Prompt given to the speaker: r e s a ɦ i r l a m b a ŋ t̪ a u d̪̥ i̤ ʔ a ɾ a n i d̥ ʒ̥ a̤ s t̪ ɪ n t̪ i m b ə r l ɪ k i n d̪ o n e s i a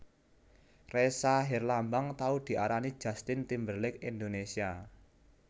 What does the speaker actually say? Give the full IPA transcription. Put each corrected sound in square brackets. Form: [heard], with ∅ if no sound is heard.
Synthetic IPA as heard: r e s a ɦ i r l a m b a ŋ t̪ a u d̪̥ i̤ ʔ a ɾ a n i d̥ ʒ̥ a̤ s t̪ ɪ n t̪ i m b ə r l ɪ k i n d̪ o n e s i a